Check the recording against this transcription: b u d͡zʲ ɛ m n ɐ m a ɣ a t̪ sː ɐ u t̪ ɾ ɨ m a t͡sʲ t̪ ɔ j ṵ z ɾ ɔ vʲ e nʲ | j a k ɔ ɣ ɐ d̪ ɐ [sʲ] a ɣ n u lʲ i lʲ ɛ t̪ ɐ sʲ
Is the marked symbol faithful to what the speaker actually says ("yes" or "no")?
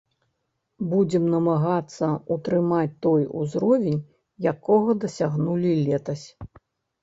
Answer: yes